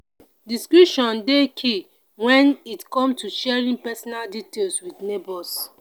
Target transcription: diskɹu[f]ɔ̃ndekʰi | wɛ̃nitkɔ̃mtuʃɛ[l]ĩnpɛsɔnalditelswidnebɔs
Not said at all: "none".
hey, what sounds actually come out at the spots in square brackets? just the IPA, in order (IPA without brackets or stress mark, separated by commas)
ʃ, ɹ